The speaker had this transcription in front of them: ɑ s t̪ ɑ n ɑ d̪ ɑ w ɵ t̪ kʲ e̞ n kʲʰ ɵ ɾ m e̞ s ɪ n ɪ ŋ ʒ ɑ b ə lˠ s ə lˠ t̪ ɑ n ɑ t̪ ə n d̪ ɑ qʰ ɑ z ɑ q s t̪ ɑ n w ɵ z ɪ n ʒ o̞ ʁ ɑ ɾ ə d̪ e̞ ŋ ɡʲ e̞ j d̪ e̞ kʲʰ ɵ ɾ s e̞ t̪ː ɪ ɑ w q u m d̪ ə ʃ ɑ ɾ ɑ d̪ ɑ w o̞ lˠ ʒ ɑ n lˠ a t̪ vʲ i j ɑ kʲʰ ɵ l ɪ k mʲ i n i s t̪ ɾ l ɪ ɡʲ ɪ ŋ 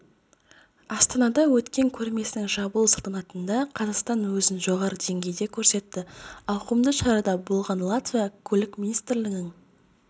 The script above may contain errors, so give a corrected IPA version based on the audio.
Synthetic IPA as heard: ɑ s t̪ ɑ n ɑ d̪ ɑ w ɵ t̪ kʲ e̞ ŋ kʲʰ ɵ ɾ m e̞ s ɪ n ɪ ŋ ʒ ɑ b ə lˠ s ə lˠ t̪ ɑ n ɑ t̪ ə n d̪ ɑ qʰ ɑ z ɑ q s t̪ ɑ n w ɵ z ɪ n ʒ o̞ ʁ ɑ ɾ ə d̪ e̞ ŋ ɡʲ e̞ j d̪ e̞ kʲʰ ɵ ɾ s e̞ t̪ː ɪ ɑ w q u m d̪ ə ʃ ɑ ɾ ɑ d̪ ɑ b o̞ lˠ ʁ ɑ n lˠ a t̪ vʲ i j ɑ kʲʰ ɵ l ɪ k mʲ i n i s t̪ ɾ l ɪ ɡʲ ɪ ŋ